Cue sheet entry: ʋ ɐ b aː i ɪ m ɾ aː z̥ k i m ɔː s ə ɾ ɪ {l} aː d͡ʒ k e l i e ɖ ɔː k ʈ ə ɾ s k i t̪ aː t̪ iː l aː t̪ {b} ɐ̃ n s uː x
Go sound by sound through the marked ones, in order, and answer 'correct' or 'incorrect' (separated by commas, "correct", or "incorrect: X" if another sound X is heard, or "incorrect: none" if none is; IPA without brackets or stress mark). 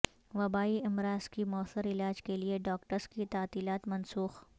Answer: correct, incorrect: m